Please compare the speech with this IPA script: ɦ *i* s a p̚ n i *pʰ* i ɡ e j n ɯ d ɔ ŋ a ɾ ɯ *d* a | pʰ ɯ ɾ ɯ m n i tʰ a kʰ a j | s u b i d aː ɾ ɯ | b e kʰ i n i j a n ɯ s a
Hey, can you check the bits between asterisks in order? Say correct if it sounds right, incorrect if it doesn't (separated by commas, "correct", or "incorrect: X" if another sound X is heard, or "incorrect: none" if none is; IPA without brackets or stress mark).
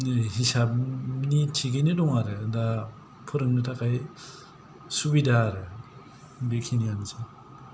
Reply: correct, incorrect: tʰ, correct